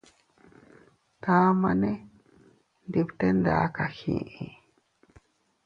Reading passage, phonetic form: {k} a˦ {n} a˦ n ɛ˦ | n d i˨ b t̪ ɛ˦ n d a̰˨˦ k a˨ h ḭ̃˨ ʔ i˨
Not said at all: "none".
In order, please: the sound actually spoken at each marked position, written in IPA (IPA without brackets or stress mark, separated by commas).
t, m